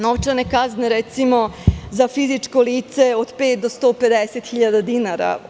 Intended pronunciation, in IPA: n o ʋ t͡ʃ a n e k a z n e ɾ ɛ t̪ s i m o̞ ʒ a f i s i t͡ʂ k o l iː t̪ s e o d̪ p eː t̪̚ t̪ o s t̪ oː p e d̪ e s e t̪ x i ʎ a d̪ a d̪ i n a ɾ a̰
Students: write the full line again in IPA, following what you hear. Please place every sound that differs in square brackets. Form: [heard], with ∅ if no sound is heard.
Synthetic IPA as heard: n o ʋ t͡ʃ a n e k a z n e ɾ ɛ t̪ s i m o̞ [z] a f i [z] i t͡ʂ k o l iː t̪ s e o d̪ p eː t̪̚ [d̪] o s t̪ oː p e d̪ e s e t̪ x i ʎ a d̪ a d̪ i n a ɾ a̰